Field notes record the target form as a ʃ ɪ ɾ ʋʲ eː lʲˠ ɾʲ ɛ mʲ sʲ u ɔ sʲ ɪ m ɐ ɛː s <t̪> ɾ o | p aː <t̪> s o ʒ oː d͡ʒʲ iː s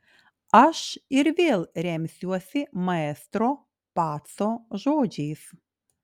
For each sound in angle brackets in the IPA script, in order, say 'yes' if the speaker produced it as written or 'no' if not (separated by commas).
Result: yes, yes